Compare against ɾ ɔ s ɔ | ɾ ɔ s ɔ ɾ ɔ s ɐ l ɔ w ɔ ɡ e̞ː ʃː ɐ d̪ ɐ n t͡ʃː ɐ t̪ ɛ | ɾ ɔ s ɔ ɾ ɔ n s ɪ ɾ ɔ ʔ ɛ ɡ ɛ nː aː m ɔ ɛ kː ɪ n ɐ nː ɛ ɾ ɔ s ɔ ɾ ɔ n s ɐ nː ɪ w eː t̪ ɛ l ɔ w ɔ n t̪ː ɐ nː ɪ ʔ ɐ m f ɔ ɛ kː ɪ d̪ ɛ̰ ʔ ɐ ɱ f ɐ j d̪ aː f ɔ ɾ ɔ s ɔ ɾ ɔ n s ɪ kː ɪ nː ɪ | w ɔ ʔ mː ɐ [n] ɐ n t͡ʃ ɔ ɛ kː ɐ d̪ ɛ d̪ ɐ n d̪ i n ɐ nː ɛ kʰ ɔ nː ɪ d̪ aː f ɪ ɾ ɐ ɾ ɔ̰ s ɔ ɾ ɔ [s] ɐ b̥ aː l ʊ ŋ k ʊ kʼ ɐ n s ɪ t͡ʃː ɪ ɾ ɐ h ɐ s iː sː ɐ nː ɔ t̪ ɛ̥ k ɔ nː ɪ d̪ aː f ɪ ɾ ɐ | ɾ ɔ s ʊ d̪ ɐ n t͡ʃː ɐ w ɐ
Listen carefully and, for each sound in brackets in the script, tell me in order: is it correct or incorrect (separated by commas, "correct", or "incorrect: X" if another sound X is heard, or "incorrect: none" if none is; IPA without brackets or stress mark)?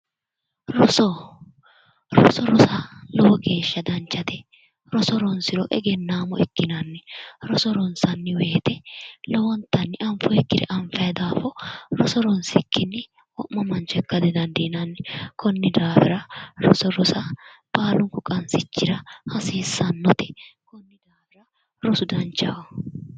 incorrect: m, correct